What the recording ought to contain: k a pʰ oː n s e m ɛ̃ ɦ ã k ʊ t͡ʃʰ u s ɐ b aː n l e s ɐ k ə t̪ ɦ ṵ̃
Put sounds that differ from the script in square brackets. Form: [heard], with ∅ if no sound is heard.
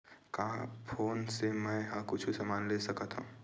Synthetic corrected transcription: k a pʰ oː n s e m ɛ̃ ɦ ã k ʊ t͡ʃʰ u s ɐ [m] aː n l e s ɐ k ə t̪ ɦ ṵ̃